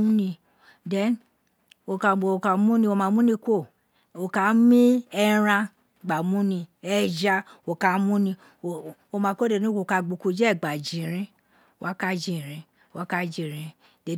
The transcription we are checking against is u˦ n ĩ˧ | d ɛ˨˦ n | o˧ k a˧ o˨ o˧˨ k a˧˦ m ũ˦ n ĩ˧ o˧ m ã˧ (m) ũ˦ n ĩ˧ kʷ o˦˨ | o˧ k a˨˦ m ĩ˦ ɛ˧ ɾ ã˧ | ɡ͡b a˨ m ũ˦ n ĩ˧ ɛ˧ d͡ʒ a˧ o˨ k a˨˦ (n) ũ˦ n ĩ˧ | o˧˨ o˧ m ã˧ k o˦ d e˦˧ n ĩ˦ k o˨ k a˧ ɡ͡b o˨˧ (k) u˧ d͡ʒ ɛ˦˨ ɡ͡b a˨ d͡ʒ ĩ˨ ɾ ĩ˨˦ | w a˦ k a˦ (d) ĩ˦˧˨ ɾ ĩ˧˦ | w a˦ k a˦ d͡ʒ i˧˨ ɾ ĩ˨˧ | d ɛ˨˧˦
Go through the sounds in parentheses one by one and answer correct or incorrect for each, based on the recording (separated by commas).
correct, incorrect, correct, incorrect